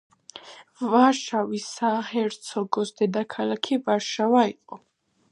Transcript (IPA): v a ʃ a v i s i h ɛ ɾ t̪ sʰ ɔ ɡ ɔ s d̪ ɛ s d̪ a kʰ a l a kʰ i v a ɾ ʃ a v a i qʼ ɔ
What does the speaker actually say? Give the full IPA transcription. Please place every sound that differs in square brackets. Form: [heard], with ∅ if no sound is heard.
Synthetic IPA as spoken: v a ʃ a v i s [a] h ɛ ɾ t̪ sʰ ɔ ɡ ɔ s d̪ ɛ [∅] d̪ a kʰ a l a kʰ i v a ɾ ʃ a v a i qʼ ɔ